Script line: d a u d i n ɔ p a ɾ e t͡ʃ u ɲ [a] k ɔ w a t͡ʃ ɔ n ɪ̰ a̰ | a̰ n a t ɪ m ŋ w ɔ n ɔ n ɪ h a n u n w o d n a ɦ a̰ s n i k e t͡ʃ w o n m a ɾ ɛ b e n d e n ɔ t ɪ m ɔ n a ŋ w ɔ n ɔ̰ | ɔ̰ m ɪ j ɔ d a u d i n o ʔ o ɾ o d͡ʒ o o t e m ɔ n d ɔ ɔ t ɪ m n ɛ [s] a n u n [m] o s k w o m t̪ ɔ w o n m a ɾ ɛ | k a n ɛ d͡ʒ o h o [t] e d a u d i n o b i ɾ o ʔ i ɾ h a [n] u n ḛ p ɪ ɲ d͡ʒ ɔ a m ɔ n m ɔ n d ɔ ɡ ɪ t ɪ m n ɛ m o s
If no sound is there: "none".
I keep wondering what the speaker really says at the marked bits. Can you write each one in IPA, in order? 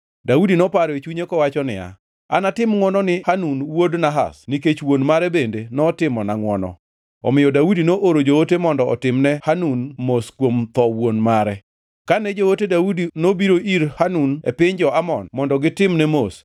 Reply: e, h, m, t, n

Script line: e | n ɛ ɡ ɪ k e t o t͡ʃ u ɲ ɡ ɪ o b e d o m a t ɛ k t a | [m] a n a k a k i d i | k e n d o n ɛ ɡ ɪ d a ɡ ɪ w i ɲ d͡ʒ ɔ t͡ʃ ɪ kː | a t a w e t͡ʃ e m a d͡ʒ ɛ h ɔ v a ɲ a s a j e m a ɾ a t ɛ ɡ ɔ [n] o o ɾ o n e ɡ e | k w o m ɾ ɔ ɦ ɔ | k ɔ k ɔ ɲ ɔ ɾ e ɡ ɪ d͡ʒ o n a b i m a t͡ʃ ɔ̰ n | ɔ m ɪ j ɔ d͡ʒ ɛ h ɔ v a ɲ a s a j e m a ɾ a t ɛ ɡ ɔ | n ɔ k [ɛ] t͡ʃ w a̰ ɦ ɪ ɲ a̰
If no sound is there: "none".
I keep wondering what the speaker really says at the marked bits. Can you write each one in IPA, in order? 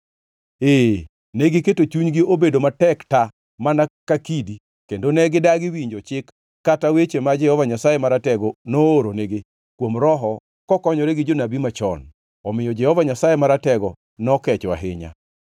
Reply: m, n, ɛ

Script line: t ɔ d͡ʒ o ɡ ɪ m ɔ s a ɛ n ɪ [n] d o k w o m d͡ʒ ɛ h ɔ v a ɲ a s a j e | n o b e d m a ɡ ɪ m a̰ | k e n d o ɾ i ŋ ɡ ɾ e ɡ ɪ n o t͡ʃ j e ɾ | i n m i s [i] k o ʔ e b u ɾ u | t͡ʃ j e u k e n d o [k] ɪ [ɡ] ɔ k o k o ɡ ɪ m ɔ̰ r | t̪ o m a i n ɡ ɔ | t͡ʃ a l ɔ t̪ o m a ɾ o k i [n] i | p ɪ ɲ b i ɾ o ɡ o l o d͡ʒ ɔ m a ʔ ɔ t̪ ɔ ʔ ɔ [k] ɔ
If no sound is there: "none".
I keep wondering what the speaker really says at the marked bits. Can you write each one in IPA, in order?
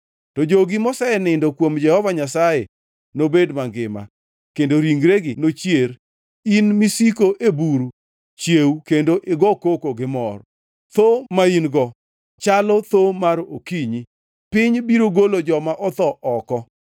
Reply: n, i, ʔ, ɡ, ɲ, k

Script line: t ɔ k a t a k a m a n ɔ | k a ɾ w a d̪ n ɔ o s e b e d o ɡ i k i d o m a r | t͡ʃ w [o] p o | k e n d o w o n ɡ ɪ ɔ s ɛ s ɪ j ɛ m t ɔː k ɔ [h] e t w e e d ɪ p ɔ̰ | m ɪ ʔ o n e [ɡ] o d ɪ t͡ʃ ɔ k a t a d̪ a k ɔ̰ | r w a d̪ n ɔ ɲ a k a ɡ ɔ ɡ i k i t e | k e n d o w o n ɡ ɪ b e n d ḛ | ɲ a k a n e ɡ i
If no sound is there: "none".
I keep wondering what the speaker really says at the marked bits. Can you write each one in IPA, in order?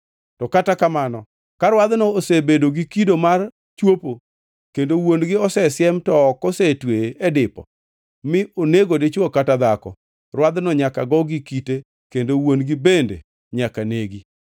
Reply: o, s, ɡ

